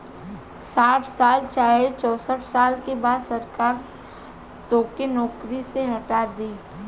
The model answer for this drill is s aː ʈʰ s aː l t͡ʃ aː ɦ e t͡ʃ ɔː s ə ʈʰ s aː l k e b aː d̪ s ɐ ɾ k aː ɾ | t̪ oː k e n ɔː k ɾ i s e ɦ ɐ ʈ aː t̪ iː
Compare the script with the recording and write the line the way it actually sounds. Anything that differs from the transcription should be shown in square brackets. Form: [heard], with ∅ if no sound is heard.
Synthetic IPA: s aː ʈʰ s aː l t͡ʃ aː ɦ e t͡ʃ ɔː s ə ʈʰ s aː l k e b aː d̪ s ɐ ɾ k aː ɾ | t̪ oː k e n ɔː k ɾ i s e ɦ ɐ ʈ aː [d̪] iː

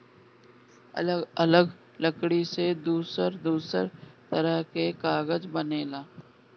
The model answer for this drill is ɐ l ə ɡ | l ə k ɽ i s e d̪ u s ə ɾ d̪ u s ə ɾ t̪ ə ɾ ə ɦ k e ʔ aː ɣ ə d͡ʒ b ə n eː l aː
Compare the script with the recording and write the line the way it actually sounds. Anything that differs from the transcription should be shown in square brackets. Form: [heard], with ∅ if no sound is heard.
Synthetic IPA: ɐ l ə ɡ | l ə k ɽ i s e d̪ [uː] s ə ɾ d̪ [uː] s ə ɾ t̪ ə ɾ ə ɦ k e [k] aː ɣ ə d͡ʒ b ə n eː l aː

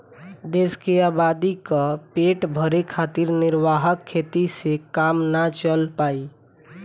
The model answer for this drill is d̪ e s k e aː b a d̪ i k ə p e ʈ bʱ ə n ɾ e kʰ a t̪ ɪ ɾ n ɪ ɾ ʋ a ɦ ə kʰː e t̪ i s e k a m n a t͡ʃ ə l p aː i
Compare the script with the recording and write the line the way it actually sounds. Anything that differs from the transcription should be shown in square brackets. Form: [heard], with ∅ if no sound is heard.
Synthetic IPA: d̪ e s k e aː b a d̪ i k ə p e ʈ bʱ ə [∅] ɾ e kʰ a t̪ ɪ ɾ n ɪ ɾ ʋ a ɦ ə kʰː e t̪ i s e k a m n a t͡ʃ ə l p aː i

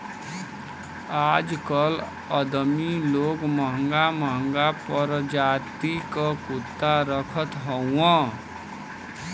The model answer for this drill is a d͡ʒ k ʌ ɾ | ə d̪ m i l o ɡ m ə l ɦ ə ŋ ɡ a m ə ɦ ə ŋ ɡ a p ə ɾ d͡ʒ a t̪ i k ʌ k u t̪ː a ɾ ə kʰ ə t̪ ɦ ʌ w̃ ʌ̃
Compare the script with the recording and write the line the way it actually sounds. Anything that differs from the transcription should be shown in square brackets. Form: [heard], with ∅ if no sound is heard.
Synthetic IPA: a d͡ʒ k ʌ [l] | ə d̪ m i l o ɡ m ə [∅] ɦ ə ŋ ɡ a m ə ɦ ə ŋ ɡ a p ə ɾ d͡ʒ a t̪ i k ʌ k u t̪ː a ɾ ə kʰ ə t̪ ɦ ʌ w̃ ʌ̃

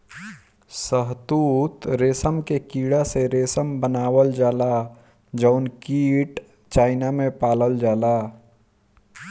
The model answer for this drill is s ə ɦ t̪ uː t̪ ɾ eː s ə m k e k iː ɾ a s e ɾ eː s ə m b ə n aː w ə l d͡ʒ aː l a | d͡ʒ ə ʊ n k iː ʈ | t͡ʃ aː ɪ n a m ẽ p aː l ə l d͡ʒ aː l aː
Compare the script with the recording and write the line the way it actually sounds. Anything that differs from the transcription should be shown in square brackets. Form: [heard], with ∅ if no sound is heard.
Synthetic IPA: s ə ɦ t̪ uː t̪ ɾ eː s ə m k e k iː [ɽ] a s e ɾ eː s ə m b ə n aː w ə l d͡ʒ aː l a | d͡ʒ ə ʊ n k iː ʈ | t͡ʃ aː ɪ n a m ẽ p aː l ə l d͡ʒ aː l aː

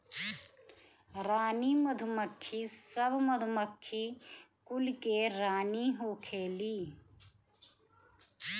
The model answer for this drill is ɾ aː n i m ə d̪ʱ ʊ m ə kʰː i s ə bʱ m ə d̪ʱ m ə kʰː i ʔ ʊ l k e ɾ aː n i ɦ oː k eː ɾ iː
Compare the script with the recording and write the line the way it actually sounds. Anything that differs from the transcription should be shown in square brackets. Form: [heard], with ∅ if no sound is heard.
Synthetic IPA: ɾ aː n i m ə d̪ʱ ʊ m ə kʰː i s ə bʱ m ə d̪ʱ m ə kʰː i [k] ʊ l k e ɾ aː n i ɦ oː [kʰ] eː [l] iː

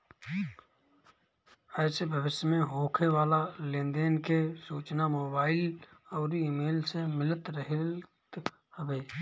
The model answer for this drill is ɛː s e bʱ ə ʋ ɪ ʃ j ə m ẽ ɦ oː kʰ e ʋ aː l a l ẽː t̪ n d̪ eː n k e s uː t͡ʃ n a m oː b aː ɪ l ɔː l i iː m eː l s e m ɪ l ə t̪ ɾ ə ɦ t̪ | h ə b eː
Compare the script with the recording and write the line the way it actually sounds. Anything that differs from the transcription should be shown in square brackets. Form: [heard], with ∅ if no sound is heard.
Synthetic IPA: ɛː s e bʱ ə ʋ ɪ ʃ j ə m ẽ ɦ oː kʰ e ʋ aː l a l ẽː [∅] n d̪ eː n k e s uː t͡ʃ n a m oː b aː ɪ l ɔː [ɾ] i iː m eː l s e m ɪ l ə t̪ ɾ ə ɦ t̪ | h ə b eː

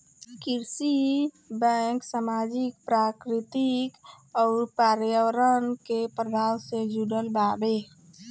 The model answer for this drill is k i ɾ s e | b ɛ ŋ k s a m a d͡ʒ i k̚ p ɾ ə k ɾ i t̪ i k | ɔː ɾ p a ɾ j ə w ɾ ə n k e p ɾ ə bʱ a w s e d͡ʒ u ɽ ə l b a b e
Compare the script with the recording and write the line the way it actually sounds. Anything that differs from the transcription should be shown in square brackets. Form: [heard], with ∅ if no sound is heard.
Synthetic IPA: k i ɾ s [i] | b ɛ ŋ k s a m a d͡ʒ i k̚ p ɾ [a] k ɾ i t̪ i k | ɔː ɾ p a ɾ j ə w ɾ ə n k e p ɾ ə bʱ a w s e d͡ʒ u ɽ ə l b a b e

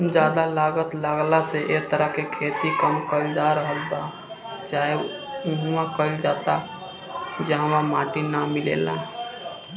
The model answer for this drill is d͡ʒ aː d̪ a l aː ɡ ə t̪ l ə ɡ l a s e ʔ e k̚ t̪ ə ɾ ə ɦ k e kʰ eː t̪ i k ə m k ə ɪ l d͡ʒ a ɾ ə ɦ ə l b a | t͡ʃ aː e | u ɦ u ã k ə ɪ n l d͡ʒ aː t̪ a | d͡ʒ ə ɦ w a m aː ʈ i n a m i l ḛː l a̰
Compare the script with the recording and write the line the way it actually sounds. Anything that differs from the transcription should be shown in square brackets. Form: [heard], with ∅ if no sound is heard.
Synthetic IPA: d͡ʒ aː d̪ a l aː ɡ ə t̪ l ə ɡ l a s e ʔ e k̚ t̪ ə ɾ ə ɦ k e kʰ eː t̪ i k ə m k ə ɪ l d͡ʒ a ɾ ə ɦ ə l b a | t͡ʃ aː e | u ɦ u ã k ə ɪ [∅] l d͡ʒ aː t̪ a | d͡ʒ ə ɦ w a m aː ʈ i n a m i l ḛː l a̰

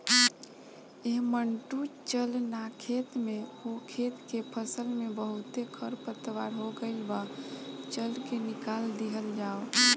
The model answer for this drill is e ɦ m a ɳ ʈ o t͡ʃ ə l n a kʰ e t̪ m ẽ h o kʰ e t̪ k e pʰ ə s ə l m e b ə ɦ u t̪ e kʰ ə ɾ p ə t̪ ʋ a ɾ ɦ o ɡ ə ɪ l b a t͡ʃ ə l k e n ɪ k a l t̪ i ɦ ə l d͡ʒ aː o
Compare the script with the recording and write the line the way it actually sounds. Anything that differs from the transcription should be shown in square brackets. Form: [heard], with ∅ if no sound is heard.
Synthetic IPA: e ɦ m [ə] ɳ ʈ [u] t͡ʃ ə l n a kʰ e t̪ m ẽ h o kʰ e t̪ k e pʰ ə s ə l m e b ə ɦ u t̪ e kʰ ə ɾ p ə t̪ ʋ a ɾ ɦ o ɡ ə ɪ l b a t͡ʃ ə l k e n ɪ k a l [d̪] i ɦ ə l d͡ʒ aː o

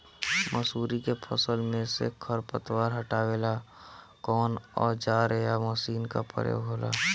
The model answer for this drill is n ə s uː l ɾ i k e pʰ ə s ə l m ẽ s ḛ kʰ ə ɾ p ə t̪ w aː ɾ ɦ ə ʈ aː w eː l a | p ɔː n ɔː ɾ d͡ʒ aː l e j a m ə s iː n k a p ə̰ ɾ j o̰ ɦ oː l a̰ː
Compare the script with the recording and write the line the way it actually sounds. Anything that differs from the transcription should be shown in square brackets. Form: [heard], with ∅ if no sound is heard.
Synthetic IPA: [m] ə s uː [∅] ɾ i k e pʰ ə s ə l m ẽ s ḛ kʰ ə ɾ p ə t̪ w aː ɾ ɦ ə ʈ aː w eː l a | [k] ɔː n ɔː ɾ d͡ʒ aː [ɾ] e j a m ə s iː n k a p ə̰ ɾ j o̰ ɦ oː l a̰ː

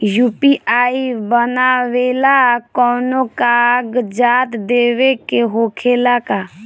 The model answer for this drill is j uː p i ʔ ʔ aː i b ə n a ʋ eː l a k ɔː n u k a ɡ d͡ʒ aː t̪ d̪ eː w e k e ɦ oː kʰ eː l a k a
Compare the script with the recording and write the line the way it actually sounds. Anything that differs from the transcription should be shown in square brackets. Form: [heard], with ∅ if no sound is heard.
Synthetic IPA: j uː p i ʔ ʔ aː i b ə n a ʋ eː l a k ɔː n [o] k a ɡ d͡ʒ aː t̪ d̪ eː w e k e ɦ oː kʰ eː l a k a

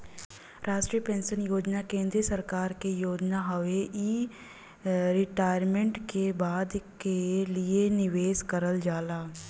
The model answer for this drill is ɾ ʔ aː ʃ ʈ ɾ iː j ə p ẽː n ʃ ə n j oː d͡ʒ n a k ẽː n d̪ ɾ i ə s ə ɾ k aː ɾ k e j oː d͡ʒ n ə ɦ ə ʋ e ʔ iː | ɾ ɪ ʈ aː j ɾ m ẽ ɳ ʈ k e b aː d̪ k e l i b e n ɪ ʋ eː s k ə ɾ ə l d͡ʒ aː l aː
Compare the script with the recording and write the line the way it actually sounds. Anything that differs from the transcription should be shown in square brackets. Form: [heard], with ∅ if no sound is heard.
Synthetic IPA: ɾ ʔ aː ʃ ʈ ɾ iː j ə p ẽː n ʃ ə n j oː d͡ʒ n a k ẽː n d̪ ɾ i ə s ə ɾ k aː ɾ k e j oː d͡ʒ n [a] ɦ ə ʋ e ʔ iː | ɾ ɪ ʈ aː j ɾ m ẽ ɳ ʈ k e b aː d̪ k e l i [∅] e n ɪ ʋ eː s k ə ɾ ə l d͡ʒ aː l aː

